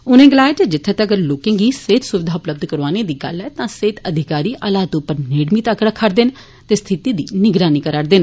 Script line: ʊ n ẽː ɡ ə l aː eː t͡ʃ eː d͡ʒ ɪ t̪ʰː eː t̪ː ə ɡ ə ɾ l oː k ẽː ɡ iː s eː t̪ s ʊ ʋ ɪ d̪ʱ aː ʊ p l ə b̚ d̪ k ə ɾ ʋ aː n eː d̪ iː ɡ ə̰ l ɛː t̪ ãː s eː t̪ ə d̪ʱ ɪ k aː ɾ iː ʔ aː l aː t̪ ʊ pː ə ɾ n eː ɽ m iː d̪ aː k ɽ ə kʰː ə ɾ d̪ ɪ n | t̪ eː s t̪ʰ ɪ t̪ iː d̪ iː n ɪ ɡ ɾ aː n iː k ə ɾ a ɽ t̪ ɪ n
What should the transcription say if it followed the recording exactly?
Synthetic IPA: ʊ n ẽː ɡ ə l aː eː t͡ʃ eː d͡ʒ ɪ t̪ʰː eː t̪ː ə ɡ ə ɾ l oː k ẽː ɡ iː s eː t̪ s ʊ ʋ ɪ d̪ʱ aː ʊ p l ə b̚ d̪ k ə ɾ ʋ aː n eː d̪ iː ɡ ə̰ l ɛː t̪ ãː s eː t̪ ə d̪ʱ ɪ k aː ɾ iː ʔ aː l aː t̪ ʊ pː ə ɾ n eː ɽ m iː t̪ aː k ɽ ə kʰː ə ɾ d̪ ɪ n | t̪ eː s t̪ʰ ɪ t̪ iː d̪ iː n ɪ ɡ ɾ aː n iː k ə ɾ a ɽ d̪ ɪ n